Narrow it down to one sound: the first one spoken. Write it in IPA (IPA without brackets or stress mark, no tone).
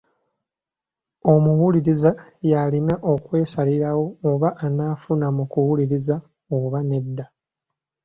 o̞